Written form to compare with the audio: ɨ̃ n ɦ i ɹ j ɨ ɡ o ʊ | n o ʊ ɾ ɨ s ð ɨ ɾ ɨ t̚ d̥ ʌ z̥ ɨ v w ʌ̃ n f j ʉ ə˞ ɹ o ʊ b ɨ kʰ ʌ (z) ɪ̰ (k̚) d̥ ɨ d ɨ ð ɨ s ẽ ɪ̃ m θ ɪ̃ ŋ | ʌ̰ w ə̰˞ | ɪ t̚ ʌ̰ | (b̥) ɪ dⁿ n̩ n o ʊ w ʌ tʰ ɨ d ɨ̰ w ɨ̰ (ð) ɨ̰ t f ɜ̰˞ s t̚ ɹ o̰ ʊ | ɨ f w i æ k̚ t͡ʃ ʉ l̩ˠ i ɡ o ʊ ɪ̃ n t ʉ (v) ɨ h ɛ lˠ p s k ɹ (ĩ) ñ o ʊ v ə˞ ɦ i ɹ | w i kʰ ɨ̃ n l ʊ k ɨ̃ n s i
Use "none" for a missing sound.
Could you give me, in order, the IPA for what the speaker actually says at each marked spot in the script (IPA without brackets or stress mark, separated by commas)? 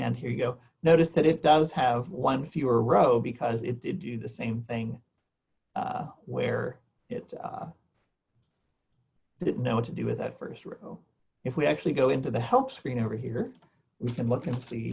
z, t̚, d̥, ð, ð, ĩ